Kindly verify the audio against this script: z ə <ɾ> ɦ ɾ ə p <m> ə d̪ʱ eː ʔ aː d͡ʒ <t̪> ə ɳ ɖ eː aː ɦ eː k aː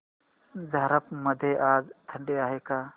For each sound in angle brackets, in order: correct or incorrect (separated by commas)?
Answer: incorrect, correct, incorrect